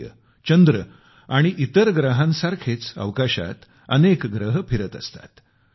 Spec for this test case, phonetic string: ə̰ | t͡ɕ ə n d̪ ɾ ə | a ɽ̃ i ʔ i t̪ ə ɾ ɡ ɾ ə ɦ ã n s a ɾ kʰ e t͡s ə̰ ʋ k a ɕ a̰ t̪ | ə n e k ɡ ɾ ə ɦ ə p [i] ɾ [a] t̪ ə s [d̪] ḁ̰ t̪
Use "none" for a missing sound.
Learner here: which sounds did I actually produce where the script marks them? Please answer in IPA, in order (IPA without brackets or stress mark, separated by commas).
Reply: i, ə, t̪